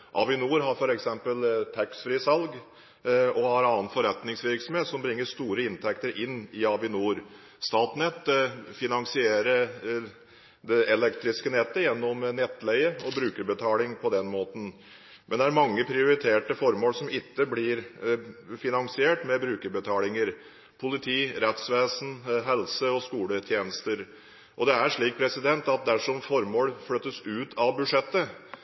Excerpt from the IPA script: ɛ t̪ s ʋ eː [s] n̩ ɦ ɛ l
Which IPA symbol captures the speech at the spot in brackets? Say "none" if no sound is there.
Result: s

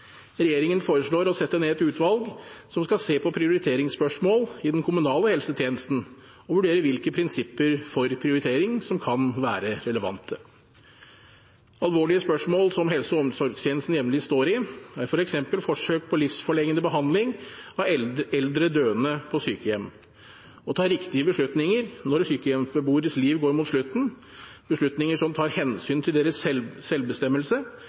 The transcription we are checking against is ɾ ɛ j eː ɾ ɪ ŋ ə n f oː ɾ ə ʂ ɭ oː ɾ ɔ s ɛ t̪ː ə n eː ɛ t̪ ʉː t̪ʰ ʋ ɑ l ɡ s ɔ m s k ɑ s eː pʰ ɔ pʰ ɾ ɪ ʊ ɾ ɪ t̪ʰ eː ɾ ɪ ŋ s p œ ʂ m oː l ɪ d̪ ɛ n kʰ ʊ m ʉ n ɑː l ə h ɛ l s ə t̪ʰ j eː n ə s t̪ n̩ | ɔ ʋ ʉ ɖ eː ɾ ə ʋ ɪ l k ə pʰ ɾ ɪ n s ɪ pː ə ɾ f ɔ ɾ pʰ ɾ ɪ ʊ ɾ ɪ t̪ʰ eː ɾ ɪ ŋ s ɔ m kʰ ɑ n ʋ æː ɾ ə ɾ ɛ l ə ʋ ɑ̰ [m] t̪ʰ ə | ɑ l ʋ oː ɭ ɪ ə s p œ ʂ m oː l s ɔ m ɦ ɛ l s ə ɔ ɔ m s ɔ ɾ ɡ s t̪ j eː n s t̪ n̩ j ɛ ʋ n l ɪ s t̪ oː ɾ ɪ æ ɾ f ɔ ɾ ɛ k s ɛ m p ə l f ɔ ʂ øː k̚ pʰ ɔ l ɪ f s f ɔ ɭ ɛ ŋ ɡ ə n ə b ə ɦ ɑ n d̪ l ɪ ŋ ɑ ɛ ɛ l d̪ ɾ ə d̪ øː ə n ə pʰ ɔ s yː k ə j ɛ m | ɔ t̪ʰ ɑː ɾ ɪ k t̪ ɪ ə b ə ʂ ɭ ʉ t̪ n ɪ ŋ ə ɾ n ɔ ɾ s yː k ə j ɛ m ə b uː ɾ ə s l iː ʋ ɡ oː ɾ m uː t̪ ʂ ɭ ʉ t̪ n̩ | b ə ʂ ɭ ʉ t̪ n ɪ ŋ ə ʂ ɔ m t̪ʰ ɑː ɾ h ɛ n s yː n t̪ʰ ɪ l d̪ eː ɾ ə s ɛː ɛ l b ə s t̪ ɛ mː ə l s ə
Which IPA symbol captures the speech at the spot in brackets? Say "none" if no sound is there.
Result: n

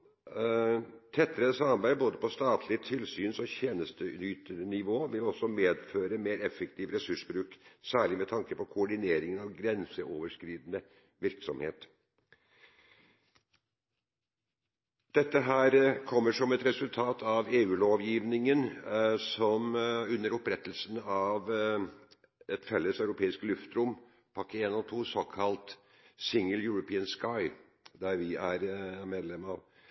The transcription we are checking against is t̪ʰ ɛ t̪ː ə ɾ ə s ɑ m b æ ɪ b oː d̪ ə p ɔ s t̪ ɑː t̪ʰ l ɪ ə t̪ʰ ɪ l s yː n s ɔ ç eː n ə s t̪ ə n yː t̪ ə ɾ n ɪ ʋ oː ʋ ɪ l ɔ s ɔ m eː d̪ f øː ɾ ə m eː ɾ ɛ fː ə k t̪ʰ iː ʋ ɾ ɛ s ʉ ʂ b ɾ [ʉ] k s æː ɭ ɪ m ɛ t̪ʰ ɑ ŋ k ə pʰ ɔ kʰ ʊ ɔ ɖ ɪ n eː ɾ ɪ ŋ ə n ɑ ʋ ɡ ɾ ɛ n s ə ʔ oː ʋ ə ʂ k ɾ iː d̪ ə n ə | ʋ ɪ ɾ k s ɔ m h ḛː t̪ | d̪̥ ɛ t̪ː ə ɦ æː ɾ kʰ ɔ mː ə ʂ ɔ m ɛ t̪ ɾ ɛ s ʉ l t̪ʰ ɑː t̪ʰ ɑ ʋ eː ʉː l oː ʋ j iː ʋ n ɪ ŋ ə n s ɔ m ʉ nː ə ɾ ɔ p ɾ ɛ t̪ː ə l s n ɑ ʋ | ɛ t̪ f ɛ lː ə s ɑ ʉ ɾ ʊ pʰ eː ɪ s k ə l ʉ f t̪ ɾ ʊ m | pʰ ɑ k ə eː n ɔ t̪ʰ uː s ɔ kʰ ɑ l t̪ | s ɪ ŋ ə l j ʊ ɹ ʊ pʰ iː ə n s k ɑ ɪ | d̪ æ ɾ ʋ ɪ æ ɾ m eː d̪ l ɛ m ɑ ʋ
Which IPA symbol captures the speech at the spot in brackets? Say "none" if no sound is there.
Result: ʉː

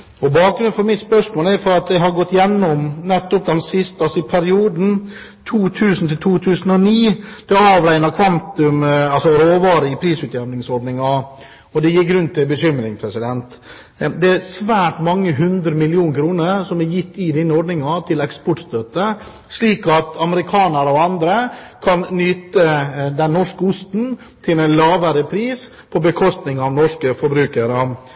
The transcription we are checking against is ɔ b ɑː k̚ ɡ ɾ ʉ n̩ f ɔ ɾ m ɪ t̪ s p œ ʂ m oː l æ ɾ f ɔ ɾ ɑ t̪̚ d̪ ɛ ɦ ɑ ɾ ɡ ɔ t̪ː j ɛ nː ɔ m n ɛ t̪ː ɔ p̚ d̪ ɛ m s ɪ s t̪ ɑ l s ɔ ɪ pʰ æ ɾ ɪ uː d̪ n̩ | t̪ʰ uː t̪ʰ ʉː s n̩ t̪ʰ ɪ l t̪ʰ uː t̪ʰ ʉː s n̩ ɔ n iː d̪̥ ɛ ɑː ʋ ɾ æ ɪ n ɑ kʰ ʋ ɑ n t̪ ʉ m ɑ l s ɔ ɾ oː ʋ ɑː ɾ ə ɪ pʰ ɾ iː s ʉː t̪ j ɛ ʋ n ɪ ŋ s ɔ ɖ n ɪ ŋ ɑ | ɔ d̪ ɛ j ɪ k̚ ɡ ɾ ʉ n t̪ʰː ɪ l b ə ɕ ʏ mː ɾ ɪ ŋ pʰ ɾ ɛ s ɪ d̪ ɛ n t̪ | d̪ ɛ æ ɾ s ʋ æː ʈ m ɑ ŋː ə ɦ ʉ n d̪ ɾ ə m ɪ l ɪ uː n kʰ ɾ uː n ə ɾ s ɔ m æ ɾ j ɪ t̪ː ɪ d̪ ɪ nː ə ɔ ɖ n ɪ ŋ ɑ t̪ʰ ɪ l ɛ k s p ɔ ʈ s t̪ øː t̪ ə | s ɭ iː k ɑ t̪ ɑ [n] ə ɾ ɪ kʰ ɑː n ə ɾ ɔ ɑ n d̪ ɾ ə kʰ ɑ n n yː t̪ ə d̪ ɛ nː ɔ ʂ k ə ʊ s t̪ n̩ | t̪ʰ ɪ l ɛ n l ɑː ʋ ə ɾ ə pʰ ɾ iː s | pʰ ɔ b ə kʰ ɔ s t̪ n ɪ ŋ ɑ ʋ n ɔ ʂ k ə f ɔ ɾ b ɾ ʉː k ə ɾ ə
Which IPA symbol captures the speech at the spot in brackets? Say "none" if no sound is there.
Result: m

